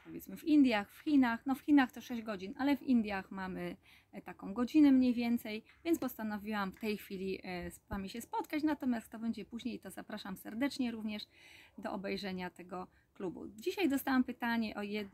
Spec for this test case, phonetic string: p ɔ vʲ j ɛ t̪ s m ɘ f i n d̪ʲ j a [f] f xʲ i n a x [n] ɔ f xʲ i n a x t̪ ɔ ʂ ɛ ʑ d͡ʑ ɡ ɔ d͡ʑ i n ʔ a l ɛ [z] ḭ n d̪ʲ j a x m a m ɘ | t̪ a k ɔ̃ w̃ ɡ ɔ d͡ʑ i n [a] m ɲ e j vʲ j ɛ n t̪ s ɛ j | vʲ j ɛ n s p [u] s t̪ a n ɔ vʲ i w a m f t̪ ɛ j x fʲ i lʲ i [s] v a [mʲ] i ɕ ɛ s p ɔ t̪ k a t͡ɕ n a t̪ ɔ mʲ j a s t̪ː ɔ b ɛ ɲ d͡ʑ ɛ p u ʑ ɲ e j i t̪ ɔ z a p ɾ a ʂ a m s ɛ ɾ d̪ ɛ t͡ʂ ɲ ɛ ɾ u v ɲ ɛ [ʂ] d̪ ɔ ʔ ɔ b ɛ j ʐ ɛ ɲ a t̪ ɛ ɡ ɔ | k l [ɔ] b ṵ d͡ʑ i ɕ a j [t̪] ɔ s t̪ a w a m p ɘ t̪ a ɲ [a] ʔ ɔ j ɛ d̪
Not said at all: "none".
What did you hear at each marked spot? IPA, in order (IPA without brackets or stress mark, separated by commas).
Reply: x, n, v, ɛ, ɔ, s, mʲ, ʂ, u, d̪, ɛ